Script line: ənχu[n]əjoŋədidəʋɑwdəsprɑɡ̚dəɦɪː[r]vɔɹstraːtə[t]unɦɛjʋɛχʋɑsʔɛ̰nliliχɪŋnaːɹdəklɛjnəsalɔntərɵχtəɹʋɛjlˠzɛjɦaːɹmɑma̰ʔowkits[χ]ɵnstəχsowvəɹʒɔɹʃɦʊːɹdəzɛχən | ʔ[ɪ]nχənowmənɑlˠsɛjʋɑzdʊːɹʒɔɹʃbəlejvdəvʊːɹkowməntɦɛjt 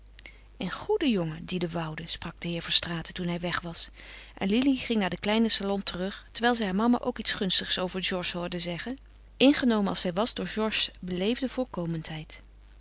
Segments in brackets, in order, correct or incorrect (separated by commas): incorrect, incorrect, correct, correct, correct